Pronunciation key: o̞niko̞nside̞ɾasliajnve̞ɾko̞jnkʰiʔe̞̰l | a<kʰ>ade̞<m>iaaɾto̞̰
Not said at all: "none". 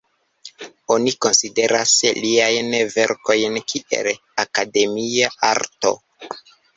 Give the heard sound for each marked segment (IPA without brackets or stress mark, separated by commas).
k, m